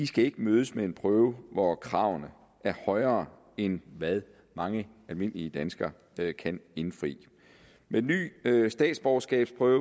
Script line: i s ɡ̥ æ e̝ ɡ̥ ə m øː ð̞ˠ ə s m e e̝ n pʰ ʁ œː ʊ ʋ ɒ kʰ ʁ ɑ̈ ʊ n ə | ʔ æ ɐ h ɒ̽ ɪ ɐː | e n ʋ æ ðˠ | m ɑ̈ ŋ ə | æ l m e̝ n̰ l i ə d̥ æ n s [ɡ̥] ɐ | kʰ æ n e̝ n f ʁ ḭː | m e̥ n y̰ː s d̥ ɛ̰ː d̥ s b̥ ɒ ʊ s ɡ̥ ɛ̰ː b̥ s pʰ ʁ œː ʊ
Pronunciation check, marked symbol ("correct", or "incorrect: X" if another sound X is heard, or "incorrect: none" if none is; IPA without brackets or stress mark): correct